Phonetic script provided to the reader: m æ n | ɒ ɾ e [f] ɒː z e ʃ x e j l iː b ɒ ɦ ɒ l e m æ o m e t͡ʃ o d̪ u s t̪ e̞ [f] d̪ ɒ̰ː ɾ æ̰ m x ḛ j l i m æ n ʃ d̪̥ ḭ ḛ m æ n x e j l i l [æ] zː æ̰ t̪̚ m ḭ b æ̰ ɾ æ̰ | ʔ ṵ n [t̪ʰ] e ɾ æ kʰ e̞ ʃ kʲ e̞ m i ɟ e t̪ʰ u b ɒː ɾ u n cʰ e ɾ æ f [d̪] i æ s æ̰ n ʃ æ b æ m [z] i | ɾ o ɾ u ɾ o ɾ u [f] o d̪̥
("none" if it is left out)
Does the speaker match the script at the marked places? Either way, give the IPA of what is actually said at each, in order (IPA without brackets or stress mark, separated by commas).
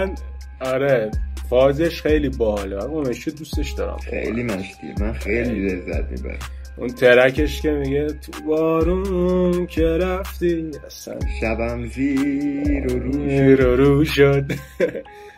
f, ʃ, e, t̪ʰ, t̪, z, ʃ